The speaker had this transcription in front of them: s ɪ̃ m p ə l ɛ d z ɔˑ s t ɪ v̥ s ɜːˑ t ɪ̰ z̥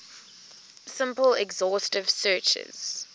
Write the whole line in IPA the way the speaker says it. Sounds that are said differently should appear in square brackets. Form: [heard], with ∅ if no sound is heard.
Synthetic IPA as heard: s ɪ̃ m p ə l ɛ [ɡ] z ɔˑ s t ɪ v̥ s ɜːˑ [t͡ʃ] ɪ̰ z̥